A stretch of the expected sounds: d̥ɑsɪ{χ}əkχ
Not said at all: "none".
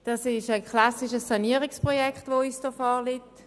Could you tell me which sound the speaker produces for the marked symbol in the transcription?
ʃ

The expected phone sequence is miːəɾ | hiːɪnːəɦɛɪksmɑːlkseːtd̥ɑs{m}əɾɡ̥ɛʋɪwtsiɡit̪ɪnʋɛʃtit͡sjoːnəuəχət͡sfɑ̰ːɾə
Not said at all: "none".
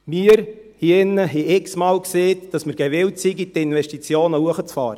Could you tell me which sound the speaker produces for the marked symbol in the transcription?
m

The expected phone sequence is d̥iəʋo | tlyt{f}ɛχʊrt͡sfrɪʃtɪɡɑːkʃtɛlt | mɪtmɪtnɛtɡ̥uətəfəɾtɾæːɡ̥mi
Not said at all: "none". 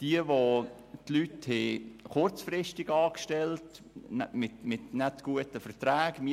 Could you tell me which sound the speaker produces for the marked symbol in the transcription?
h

